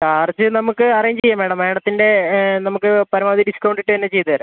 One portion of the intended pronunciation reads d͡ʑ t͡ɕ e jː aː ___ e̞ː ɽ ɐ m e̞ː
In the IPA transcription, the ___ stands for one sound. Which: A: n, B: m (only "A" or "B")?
B